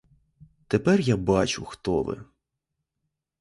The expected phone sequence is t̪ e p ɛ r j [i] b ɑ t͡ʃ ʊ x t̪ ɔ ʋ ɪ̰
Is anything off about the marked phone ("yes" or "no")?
yes